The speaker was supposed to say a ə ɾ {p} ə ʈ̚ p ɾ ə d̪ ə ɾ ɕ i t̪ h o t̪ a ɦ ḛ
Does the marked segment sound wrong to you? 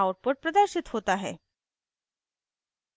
no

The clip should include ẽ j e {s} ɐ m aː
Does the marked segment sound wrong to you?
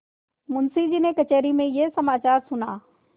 no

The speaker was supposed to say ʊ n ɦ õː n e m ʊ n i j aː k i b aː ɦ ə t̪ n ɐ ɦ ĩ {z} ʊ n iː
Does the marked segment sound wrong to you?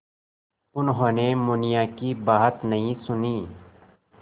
yes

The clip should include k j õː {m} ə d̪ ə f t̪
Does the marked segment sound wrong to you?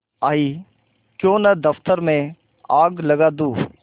yes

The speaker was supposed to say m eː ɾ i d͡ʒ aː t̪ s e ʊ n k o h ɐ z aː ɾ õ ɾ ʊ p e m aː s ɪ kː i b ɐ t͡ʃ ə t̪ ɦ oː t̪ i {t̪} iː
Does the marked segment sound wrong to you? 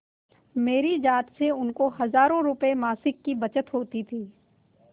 yes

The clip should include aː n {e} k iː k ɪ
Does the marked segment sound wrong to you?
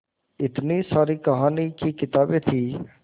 yes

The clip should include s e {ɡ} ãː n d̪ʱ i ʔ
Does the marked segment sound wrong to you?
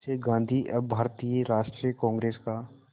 no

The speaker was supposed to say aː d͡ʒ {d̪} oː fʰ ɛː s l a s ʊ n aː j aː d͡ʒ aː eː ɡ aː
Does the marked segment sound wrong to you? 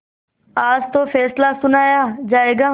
yes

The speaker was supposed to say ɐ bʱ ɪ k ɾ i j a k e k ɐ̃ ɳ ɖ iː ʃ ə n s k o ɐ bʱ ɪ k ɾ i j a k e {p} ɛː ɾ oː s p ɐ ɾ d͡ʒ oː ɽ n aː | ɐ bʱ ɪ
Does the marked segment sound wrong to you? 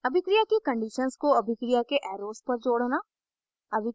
yes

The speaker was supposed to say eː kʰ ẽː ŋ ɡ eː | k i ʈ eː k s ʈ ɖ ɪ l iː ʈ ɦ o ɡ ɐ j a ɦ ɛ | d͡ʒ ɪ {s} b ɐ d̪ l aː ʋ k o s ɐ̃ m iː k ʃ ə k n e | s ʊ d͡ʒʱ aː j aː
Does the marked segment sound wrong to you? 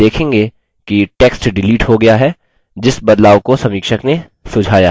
no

